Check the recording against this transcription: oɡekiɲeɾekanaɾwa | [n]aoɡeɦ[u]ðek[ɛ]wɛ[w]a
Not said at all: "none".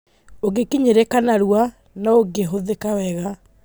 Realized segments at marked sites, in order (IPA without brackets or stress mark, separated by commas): n, o, a, ɣ